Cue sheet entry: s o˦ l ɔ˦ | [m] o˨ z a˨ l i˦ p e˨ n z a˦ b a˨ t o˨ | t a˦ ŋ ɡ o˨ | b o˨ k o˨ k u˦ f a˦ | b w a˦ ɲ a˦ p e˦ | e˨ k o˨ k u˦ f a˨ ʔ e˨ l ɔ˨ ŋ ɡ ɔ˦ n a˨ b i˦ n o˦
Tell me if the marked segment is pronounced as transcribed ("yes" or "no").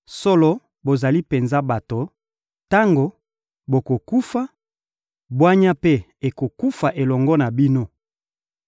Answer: no